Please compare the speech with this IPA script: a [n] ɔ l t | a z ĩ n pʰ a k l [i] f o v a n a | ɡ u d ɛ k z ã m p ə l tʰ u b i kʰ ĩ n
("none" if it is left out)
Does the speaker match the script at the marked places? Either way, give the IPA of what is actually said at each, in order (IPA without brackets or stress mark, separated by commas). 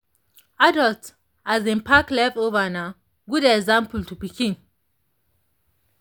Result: d, ɛ